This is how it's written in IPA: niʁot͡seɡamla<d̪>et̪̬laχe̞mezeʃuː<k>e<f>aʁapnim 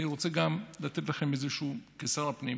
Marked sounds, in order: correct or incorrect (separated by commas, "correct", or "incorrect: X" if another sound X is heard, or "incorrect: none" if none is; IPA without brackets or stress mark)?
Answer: incorrect: t̪, correct, incorrect: s